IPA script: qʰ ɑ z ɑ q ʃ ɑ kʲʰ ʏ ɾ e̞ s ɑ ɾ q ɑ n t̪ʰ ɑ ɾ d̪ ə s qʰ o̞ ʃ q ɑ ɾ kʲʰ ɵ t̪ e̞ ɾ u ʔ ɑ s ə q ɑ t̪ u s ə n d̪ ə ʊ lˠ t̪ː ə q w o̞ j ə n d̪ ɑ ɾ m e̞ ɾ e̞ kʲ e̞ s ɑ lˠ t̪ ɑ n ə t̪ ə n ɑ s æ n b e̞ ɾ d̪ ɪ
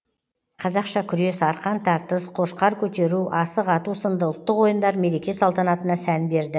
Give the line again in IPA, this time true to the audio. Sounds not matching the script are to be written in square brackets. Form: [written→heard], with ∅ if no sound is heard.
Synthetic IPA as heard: qʰ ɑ z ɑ q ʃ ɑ kʲʰ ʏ ɾ e̞ s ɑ ɾ q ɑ n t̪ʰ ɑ ɾ [d̪→t̪] ə s qʰ o̞ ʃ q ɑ ɾ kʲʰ ɵ t̪ e̞ ɾ u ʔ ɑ s ə q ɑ t̪ u s ə n d̪ ə ʊ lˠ t̪ː ə q w o̞ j ə n d̪ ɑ ɾ m e̞ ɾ e̞ kʲ e̞ s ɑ lˠ t̪ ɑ n [ə→ɑ] t̪ ə n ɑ s æ n b e̞ ɾ d̪ ɪ